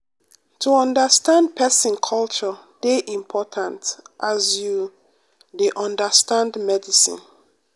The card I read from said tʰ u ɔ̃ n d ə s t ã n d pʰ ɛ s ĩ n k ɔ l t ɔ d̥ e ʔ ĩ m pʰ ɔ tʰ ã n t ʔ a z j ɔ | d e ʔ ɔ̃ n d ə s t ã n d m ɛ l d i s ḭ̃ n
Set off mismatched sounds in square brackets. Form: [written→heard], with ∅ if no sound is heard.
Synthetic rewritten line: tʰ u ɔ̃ n d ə s t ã n d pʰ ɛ s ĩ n [k→kʰ] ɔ l [t→t͡ʃ] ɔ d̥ e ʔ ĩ m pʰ ɔ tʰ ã n t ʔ a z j [ɔ→u] | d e ʔ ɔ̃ n d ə s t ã n d m ɛ [l→∅] d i s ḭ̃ n